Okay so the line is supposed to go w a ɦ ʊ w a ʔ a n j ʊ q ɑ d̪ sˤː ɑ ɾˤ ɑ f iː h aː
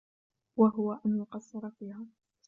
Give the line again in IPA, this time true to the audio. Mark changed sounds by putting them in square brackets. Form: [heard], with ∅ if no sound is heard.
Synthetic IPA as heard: w a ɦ ʊ w a ʔ a n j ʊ q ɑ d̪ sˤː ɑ ɾˤ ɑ f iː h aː